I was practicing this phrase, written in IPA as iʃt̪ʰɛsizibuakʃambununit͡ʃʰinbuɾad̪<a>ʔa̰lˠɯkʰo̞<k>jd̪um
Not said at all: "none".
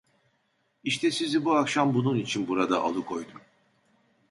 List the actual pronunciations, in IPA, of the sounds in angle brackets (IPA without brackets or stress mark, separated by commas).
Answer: a, none